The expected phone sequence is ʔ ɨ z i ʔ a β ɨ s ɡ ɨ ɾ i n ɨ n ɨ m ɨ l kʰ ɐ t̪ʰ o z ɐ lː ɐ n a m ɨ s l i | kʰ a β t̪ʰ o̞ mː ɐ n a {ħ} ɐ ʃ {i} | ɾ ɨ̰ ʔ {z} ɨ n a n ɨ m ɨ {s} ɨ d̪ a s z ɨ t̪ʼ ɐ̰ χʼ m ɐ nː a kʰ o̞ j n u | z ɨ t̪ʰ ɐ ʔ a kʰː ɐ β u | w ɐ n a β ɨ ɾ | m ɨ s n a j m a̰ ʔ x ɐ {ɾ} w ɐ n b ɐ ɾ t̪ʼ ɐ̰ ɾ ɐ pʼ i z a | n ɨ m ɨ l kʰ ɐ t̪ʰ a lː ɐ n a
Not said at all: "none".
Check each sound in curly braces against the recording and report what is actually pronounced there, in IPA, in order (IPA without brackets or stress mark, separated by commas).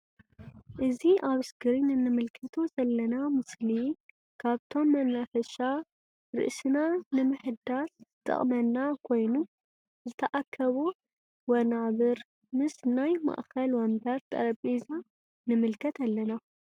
f, a, s, ħ, l